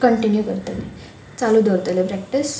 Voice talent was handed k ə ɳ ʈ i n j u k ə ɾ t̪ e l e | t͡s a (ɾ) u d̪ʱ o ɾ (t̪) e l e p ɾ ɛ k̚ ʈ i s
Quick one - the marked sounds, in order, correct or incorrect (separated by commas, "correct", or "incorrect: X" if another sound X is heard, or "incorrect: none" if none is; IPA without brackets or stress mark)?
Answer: incorrect: l, correct